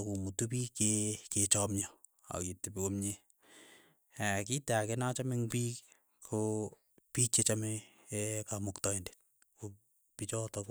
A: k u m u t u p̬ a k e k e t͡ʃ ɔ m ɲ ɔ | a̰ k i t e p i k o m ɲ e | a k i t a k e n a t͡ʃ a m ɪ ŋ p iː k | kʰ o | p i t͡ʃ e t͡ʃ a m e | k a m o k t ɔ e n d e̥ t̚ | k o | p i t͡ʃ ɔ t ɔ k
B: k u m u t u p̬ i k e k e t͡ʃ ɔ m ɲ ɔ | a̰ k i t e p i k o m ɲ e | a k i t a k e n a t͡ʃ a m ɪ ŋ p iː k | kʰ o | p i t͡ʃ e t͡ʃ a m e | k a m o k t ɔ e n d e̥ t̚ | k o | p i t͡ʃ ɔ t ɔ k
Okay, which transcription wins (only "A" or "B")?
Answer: B